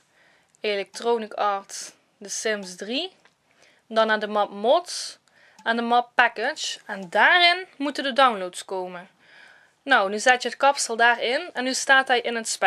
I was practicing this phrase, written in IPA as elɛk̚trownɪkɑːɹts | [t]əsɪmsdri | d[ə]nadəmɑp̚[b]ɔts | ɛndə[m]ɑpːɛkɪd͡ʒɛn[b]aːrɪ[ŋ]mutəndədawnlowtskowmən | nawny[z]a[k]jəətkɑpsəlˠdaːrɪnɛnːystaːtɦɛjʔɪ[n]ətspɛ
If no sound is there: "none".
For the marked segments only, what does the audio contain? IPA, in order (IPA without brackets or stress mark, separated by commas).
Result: d, ɑ, m, m, d, n, z, t, n